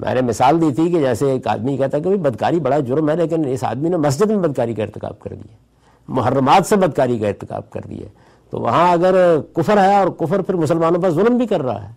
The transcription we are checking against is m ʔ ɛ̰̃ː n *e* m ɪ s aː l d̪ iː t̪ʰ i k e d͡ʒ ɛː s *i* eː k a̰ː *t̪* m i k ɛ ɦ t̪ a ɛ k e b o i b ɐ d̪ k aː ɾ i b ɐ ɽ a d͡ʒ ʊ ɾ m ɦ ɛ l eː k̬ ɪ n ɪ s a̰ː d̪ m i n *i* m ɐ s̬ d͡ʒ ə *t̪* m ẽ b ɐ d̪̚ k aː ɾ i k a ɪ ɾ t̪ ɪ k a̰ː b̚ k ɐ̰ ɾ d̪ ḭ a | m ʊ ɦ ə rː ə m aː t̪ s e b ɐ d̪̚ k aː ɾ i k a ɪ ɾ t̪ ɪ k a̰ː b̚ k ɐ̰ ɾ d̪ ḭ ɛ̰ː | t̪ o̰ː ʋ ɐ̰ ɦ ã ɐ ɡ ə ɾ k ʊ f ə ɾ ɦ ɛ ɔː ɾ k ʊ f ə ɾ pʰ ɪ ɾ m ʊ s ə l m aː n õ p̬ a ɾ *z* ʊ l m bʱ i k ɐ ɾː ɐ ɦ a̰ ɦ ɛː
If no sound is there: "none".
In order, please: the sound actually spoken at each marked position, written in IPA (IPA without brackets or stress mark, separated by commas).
e, e, d̪, e, d̪, z